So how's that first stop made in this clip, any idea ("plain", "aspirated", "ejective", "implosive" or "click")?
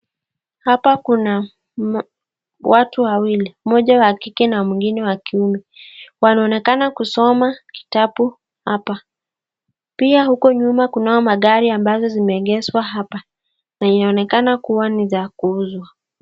plain